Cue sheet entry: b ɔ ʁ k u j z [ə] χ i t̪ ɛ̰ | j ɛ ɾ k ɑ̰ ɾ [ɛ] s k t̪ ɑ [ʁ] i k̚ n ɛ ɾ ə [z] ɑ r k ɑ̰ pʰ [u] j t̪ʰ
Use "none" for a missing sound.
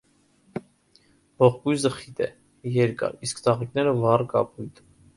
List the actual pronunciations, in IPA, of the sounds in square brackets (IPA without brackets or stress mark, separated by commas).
ə, i, ʁ, v, u